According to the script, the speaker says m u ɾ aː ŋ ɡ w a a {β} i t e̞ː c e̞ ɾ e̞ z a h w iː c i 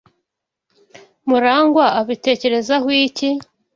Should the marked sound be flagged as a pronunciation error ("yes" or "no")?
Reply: no